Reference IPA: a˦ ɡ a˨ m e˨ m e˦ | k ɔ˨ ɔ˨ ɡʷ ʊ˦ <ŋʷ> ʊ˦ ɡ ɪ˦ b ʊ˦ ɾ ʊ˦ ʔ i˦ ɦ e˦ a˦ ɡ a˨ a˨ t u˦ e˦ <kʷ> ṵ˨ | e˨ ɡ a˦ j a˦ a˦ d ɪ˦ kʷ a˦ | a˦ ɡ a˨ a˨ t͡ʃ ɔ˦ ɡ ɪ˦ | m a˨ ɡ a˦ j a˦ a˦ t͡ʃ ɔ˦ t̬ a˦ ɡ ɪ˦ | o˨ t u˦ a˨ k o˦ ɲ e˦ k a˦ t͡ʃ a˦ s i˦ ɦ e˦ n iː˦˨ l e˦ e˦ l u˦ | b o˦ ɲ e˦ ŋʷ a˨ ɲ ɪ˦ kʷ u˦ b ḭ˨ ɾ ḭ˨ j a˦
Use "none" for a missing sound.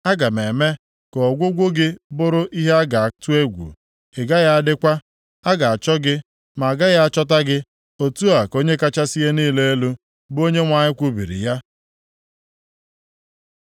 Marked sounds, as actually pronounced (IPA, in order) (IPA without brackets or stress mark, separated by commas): ɡʷ, ɡʷ